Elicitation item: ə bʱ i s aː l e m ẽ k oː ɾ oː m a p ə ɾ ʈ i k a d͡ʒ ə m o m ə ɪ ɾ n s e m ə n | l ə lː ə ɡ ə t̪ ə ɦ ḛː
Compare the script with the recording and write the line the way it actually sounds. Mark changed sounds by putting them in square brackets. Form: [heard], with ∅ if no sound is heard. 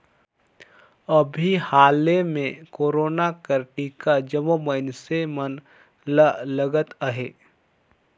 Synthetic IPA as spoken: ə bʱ i [h] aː l e m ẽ k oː ɾ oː [n] a [k] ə ɾ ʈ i k a d͡ʒ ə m o m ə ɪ [∅] n s e m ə n | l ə [l] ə ɡ ə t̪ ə ɦ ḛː

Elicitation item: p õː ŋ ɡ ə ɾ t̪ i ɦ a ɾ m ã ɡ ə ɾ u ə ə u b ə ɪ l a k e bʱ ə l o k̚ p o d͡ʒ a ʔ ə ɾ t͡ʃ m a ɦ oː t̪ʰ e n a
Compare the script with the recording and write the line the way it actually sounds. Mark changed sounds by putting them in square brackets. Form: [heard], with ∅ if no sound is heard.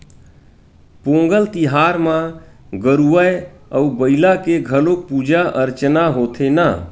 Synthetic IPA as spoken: p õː ŋ ɡ ə [l] t̪ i ɦ a ɾ m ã ɡ ə ɾ u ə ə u b ə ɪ l a k e [ɡʱ] ə l o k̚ p [u] d͡ʒ a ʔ ə ɾ t͡ʃ [n] a ɦ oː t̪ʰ e n a

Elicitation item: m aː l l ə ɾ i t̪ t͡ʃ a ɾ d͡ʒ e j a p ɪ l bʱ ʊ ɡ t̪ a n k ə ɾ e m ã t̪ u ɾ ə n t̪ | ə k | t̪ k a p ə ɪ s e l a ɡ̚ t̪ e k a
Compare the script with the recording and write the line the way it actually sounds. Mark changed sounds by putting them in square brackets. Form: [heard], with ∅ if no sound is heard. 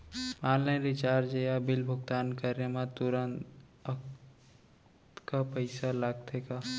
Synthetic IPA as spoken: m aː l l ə ɾ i [∅] t͡ʃ a ɾ d͡ʒ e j a [b] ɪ l bʱ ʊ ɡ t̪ a n k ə ɾ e m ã t̪ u ɾ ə n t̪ | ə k | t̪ k a p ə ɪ s [a] l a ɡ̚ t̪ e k a

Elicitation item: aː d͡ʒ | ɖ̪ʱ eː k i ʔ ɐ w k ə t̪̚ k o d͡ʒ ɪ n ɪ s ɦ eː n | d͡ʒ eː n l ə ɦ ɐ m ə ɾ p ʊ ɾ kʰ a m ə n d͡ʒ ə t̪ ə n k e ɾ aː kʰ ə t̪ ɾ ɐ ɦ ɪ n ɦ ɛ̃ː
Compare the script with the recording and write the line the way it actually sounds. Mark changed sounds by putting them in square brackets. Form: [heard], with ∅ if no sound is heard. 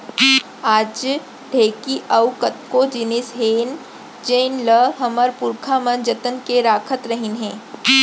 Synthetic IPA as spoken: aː d͡ʒ | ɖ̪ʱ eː k i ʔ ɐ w k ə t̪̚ k o d͡ʒ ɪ n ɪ s ɦ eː n | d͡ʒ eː n l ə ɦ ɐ m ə ɾ p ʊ ɾ kʰ a m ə n d͡ʒ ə t̪ ə n k e ɾ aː kʰ ə t̪ ɾ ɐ ɦ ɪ n ɦ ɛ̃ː

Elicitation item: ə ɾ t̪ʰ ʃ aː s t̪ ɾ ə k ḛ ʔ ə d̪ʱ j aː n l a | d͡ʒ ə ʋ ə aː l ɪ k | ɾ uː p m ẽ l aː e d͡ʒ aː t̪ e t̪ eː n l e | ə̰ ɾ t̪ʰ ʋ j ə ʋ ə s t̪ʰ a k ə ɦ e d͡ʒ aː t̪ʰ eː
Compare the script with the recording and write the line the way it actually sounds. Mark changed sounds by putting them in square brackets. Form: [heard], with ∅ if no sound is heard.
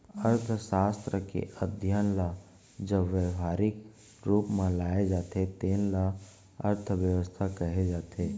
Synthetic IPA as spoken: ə ɾ t̪ʰ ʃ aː s t̪ ɾ ə k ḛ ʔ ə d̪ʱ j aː n l a | d͡ʒ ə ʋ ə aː [ɾ] ɪ k | ɾ uː p m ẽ l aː e d͡ʒ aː t̪ e t̪ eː n l [a] | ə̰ ɾ t̪ʰ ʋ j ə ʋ ə s t̪ʰ a k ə ɦ e d͡ʒ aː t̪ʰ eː

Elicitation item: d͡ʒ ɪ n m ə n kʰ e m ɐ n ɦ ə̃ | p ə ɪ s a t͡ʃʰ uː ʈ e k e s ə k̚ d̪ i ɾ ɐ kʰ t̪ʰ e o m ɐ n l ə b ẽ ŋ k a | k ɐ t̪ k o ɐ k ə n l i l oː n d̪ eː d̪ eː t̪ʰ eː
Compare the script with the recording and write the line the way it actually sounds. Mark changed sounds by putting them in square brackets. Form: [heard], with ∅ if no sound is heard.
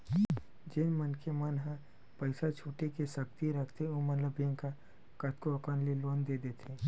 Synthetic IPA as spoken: d͡ʒ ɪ n m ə n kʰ e m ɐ n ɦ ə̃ | p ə ɪ s a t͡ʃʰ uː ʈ e k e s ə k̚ [t̪] i ɾ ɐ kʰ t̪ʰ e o m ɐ n l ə b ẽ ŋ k a | k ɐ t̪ k o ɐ k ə n l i l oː n d̪ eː d̪ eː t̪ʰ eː

